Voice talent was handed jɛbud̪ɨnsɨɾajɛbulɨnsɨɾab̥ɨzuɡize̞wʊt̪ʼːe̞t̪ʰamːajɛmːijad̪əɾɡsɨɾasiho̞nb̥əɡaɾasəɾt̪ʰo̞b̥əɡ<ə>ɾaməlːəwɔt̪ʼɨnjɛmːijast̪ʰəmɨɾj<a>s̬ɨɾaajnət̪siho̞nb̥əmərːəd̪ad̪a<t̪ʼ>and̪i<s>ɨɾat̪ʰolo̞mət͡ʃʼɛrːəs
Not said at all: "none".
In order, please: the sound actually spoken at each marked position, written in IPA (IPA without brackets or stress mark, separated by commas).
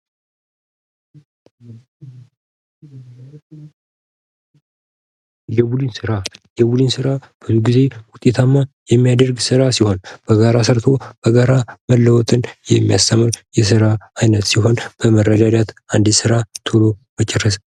a, ɛ, t̪, s